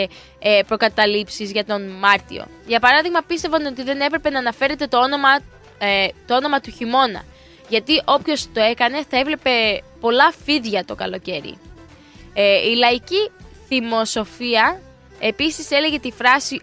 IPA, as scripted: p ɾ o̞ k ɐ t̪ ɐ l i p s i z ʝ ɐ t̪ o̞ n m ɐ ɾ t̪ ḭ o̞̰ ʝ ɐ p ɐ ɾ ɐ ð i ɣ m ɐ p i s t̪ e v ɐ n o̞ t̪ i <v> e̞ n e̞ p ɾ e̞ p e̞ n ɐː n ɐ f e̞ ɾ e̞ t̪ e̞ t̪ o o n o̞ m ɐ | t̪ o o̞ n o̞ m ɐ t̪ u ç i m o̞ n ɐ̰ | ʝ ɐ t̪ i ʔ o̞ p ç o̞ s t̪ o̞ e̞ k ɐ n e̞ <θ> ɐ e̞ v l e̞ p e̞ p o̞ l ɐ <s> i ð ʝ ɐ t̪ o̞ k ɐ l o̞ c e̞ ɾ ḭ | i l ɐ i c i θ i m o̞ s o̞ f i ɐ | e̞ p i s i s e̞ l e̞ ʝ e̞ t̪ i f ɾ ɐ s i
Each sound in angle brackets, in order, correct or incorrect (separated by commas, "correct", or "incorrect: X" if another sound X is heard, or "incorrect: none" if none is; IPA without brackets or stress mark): incorrect: ð, correct, incorrect: f